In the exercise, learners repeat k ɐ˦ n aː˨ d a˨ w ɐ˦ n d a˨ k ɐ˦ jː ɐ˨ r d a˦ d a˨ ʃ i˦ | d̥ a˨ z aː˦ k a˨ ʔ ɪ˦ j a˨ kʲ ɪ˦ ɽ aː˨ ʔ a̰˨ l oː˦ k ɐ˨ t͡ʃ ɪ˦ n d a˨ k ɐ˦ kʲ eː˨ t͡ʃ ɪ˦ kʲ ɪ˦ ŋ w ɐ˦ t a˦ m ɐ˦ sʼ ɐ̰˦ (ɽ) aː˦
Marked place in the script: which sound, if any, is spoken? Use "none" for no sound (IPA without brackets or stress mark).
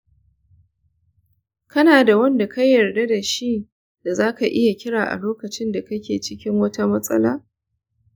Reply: l